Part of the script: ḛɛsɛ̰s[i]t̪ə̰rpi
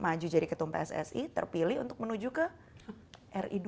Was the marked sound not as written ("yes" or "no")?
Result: no